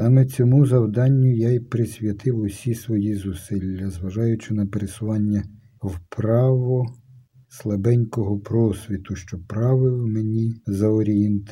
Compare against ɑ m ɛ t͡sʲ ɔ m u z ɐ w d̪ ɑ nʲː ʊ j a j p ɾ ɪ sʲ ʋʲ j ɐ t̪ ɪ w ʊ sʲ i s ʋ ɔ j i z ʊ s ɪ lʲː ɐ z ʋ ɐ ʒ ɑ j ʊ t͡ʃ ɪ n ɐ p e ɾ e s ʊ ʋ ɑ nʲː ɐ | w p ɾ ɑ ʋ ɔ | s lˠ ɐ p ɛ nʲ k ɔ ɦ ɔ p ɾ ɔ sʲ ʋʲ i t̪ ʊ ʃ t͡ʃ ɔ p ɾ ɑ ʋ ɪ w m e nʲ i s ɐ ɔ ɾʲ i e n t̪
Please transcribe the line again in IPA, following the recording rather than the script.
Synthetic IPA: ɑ m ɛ t͡sʲ ɔ m u z ɐ w d̪ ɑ nʲː ʊ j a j p ɾ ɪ sʲ ʋʲ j ɐ t̪ ɪ w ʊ sʲ i s ʋ ɔ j i z ʊ s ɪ lʲː ɐ z ʋ ɐ ʒ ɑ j ʊ t͡ʃ ɪ n ɐ p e ɾ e s ʊ ʋ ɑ nʲː ɐ | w p ɾ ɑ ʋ ɔ | s lˠ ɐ b ɛ nʲ k ɔ ɦ ɔ p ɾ ɔ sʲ ʋʲ i t̪ ʊ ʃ t͡ʃ ɔ p ɾ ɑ ʋ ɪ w m e nʲ i z ɐ ɔ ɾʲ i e n t̪